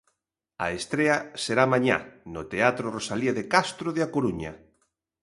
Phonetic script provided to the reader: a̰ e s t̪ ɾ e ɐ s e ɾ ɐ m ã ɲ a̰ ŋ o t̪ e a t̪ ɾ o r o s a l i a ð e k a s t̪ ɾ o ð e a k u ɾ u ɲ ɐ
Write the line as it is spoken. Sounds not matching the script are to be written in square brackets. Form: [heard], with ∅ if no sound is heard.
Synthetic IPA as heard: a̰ e s t̪ ɾ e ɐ s e ɾ [a] m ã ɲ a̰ [n] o t̪ e a t̪ ɾ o r o s a l i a ð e k a s t̪ ɾ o ð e a k [o] ɾ u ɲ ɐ